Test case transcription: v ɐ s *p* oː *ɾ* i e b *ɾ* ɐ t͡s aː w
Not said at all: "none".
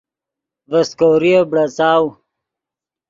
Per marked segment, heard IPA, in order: k, ɾ, ɽ

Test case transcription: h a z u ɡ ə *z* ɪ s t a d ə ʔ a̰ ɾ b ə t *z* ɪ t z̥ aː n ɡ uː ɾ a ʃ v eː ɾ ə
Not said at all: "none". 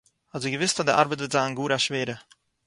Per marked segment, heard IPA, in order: v, v

